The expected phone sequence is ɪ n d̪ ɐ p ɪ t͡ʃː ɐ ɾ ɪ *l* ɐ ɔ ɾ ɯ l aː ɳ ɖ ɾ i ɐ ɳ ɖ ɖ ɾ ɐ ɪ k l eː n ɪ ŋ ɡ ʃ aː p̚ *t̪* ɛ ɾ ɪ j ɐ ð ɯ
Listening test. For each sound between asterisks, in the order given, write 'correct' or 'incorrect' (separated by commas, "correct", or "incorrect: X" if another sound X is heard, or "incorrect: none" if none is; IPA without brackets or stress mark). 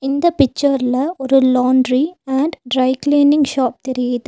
correct, correct